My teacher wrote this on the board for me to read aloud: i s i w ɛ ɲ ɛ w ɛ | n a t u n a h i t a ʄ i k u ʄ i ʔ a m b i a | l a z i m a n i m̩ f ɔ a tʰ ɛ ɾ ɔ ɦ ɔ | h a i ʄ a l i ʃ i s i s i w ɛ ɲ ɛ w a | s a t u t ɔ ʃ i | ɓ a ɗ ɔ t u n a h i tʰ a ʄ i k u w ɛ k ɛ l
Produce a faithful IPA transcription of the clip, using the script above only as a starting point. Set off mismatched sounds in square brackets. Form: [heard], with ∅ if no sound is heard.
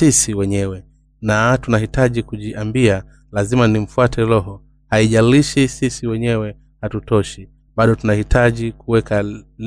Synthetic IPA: i s i w ɛ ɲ ɛ w ɛ | n a t u n a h i t a ʄ i k u ʄ i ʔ a m b i a | l a z i m a n i m̩ f [u] a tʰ ɛ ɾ ɔ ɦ ɔ | h a i ʄ a l i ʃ i s i s i w ɛ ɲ ɛ w [ɛ] | [h] a t u t ɔ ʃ i | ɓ a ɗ ɔ t u n a h i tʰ a ʄ i k u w ɛ k [a] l